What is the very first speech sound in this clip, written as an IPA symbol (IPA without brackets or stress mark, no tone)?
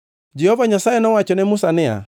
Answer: d͡ʒ